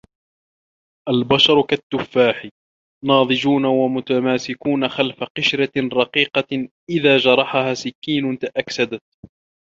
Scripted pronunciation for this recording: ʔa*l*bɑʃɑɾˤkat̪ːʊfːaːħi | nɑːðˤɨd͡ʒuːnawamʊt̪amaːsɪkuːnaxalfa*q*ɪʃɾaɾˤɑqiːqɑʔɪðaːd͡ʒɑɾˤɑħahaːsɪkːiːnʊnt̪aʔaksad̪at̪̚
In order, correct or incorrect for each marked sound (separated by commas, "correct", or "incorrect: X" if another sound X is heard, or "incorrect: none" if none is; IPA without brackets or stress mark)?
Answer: correct, correct